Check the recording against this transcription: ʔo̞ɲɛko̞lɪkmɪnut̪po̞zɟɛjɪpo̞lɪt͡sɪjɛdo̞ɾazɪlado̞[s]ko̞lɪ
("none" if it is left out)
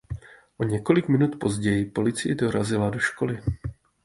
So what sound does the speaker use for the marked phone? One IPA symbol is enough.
ʃ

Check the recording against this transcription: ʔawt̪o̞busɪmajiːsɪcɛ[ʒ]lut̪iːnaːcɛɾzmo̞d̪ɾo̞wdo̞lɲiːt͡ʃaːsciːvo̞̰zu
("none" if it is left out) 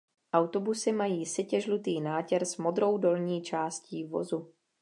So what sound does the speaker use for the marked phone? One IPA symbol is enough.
ʒ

